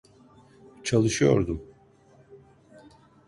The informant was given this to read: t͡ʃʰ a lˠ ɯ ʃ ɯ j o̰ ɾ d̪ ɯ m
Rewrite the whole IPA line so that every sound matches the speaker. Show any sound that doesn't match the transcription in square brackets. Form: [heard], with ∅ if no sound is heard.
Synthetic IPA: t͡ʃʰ a lˠ ɯ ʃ ɯ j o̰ ɾ d̪ [u] m